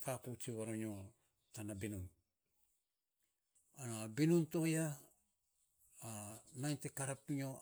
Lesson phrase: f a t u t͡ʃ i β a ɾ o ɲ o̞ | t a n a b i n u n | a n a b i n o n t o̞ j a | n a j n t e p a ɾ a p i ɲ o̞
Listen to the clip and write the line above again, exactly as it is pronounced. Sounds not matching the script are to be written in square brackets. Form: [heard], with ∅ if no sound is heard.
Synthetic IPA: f a [k] u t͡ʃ i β a ɾ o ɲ o̞ | t a n a b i n u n | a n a b i n [u] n t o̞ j a | n a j n t e [k] a ɾ a p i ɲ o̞